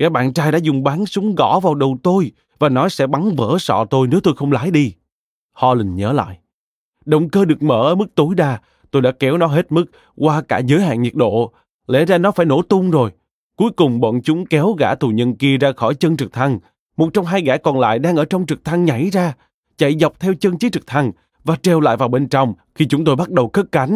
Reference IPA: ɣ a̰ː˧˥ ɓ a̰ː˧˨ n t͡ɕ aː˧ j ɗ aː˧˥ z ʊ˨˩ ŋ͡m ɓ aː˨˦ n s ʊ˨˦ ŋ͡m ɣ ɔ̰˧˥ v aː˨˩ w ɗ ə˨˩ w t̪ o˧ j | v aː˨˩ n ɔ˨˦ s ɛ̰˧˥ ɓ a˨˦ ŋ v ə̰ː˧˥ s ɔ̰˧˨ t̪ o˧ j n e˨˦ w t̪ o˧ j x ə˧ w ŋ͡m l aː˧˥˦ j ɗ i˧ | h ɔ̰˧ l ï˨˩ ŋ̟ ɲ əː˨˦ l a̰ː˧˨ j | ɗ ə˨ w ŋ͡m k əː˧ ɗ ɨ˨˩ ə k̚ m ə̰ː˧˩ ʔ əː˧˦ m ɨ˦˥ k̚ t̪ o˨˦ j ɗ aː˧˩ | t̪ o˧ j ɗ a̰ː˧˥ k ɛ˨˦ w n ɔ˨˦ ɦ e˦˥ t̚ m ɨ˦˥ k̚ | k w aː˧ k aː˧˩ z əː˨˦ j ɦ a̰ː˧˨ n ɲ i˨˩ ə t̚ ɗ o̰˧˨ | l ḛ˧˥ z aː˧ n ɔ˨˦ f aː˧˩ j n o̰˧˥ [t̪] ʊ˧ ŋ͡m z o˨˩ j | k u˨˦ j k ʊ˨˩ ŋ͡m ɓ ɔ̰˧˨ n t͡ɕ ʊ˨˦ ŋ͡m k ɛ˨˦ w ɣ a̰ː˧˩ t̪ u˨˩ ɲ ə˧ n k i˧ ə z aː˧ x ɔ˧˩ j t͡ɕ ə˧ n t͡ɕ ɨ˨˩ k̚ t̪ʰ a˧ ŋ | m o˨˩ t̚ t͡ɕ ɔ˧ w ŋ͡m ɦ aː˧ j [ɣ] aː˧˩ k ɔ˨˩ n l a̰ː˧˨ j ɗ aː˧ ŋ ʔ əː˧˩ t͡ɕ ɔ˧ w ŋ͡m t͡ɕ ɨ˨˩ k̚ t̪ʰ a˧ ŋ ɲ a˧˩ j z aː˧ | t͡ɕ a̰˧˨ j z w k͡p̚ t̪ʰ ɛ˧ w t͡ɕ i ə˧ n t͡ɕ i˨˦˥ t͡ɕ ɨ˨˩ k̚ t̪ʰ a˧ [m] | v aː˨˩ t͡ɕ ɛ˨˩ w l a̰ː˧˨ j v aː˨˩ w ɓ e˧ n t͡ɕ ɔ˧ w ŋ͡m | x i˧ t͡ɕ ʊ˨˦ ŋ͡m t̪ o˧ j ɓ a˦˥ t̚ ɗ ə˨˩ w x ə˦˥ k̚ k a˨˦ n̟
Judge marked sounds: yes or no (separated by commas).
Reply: yes, yes, no